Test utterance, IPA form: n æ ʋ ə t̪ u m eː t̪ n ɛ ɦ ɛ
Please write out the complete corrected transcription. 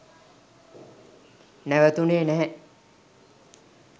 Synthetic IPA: n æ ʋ ə t̪ u n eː n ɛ ɦ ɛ